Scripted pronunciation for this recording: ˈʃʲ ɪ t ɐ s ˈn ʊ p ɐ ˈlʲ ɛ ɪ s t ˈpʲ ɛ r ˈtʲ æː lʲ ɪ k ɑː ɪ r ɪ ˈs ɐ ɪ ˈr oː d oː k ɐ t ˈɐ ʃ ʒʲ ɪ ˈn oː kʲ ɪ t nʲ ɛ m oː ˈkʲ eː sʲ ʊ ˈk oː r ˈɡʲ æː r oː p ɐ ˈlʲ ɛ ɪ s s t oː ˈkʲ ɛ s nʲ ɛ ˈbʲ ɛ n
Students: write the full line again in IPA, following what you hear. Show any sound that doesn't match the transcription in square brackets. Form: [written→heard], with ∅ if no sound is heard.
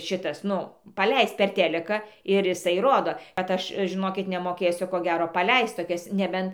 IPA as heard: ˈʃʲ ɪ t ɐ s ˈn ʊ p ɐ ˈlʲ ɛ ɪ s t ˈpʲ ɛ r ˈtʲ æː lʲ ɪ k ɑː ɪ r ɪ ˈs ɐ ɪ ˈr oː d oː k ɐ t ˈɐ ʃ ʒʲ ɪ ˈn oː kʲ ɪ t nʲ ɛ m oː ˈkʲ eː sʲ ʊ ˈk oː [r→∅] ˈɡʲ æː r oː p ɐ ˈlʲ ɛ ɪ s [s→t] t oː ˈkʲ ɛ s nʲ ɛ ˈbʲ ɛ n